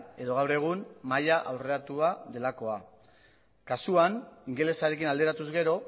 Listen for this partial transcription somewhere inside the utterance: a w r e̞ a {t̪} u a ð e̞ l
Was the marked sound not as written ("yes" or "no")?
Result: no